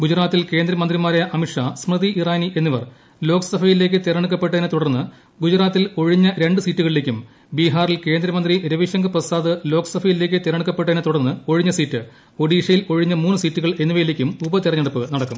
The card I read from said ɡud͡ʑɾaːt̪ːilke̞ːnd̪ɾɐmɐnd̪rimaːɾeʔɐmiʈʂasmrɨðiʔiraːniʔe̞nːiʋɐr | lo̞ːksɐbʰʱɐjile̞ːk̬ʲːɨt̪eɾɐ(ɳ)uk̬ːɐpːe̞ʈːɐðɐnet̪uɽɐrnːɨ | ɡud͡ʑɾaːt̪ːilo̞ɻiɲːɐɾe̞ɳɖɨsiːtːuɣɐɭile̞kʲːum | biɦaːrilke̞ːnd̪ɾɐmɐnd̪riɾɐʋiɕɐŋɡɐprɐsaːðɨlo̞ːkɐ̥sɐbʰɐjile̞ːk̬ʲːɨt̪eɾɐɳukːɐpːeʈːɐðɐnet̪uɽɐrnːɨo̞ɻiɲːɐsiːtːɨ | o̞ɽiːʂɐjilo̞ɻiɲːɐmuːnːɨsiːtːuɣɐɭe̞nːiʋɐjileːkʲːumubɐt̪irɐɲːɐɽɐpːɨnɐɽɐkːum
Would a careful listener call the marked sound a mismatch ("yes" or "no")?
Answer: no